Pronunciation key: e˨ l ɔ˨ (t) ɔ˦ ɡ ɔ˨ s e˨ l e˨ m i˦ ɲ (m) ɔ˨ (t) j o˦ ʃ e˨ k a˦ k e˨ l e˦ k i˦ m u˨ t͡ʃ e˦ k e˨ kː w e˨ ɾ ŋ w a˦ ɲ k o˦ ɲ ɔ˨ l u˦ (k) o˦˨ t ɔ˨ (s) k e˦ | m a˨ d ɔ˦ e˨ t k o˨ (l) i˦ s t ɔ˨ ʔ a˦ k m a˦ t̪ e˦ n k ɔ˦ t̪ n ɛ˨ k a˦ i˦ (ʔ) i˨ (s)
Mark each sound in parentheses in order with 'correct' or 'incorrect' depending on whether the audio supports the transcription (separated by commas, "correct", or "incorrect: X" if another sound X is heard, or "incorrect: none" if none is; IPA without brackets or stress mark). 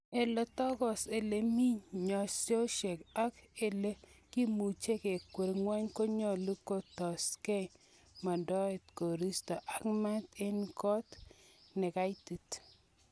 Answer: correct, incorrect: ɲ, incorrect: s, correct, correct, incorrect: ɾ, incorrect: t, incorrect: t